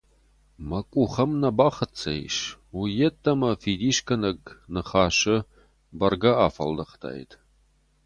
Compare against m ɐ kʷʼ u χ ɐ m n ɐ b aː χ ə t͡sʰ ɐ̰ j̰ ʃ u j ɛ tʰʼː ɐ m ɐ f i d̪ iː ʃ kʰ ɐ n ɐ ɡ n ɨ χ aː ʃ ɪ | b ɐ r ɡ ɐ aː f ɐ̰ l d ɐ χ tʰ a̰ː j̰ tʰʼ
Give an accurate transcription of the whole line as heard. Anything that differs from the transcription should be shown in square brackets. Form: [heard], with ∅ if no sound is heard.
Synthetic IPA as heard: m ɐ kʷʼ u χ ɐ m n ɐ b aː χ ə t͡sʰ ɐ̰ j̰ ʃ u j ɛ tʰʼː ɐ m ɐ f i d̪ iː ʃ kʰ ɐ n ɐ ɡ n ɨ χ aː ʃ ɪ | b ɐ r ɡ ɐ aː f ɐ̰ l d ɐ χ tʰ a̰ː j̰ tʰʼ

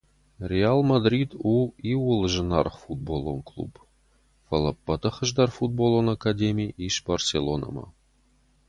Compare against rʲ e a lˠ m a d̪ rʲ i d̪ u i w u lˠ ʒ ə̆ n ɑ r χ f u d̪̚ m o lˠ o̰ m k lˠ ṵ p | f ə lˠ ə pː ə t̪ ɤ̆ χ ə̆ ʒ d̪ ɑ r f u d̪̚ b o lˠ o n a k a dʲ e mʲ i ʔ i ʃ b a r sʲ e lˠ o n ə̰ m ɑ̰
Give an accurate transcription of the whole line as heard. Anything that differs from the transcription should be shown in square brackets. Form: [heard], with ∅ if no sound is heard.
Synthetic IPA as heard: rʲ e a lˠ m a d̪ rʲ i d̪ u i w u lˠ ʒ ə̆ n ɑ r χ f u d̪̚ [b] o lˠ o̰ [n] k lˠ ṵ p | f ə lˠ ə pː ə t̪ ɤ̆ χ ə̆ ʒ d̪ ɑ r f u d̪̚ b o lˠ o n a k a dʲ e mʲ i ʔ i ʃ b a r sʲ e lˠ o n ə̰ m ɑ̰

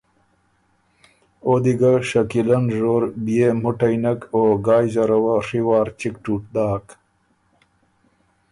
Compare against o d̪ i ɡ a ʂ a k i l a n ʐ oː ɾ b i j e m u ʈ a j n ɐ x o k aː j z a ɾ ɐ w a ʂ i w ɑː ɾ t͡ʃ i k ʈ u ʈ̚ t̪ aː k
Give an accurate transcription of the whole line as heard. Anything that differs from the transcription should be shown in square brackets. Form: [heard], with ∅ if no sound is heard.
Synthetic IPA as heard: o d̪ i ɡ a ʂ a k i l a n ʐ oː ɾ b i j e m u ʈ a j n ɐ [k] o [ɡ] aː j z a ɾ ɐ w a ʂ i w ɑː ɾ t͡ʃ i k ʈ u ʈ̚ [d̪] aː k

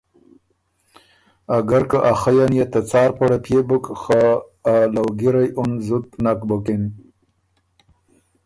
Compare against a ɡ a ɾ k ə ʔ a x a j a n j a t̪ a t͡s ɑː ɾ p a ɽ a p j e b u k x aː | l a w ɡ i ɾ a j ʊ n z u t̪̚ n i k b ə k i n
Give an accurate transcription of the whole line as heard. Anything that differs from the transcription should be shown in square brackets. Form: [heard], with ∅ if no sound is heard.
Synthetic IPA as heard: a ɡ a ɾ k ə ʔ a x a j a n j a t̪ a t͡s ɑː ɾ p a ɽ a p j e b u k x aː | l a w ɡ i ɾ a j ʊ n z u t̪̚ n [a] k b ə k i n

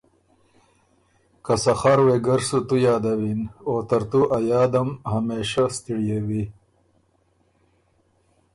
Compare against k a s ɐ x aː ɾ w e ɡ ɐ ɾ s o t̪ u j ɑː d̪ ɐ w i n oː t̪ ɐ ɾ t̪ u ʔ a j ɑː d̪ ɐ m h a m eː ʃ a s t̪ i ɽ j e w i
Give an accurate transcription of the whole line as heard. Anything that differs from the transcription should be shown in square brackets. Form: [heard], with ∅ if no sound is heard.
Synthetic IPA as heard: k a s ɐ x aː ɾ w e ɡ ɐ ɾ s [u] t̪ u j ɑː d̪ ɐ w i n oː t̪ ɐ ɾ t̪ u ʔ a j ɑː d̪ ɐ m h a m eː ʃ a s t̪ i ɽ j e w i

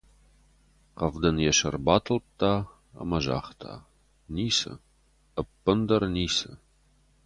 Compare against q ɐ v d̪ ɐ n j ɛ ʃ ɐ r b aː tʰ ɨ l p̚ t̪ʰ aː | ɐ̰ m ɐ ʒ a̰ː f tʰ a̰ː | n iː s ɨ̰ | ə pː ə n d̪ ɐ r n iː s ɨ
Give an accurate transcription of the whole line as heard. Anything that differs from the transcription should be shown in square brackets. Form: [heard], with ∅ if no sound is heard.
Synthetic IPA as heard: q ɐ v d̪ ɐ n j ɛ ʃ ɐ r b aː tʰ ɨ l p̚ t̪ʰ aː | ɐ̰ m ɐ ʒ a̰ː [χ] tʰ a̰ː | n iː s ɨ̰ | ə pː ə n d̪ ɐ r n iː s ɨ

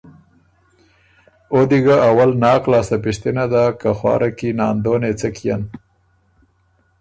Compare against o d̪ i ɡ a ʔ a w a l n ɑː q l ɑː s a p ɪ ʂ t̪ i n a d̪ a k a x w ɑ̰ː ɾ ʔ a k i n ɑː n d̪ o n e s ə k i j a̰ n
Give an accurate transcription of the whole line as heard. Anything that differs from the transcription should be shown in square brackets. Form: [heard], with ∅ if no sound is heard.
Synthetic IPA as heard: o d̪ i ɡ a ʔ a w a l n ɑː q l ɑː s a p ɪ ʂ t̪ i n a d̪ a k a x w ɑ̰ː ɾ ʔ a k i n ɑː n d̪ o n e [t͡s] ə k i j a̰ n

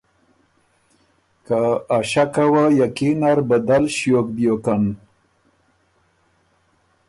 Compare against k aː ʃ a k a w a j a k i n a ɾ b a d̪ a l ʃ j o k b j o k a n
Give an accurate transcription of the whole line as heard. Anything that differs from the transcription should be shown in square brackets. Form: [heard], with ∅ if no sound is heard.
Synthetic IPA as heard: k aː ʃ a k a w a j a k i n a ɾ b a d̪ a l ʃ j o k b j o k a n

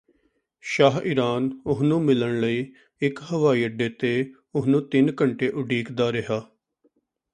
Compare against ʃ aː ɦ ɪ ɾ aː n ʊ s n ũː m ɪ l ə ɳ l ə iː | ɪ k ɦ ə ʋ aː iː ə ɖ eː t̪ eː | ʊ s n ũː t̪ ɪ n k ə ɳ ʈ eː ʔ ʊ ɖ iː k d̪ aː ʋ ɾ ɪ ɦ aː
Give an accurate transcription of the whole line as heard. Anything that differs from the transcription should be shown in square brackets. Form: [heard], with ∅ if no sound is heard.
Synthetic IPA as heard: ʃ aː ɦ ɪ ɾ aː n ʊ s n ũː m ɪ l ə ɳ l ə iː | ɪ k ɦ ə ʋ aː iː ə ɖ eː t̪ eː | ʊ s n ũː t̪ ɪ n k ə ɳ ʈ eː ʔ ʊ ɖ iː k d̪ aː [∅] ɾ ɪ ɦ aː

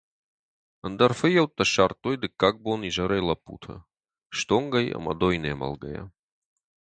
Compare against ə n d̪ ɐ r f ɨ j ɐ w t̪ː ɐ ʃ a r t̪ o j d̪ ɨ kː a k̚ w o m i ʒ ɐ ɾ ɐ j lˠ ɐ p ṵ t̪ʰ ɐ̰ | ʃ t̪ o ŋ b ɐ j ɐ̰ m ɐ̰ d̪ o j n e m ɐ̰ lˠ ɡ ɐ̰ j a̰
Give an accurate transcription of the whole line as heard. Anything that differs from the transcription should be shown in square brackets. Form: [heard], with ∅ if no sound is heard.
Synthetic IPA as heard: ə n d̪ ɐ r f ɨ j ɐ w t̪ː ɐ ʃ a r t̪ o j d̪ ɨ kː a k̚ [b] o [n] i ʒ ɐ ɾ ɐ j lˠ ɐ p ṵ t̪ʰ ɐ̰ | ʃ t̪ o ŋ [ɡ] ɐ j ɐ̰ m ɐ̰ d̪ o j n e m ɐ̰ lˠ ɡ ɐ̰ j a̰

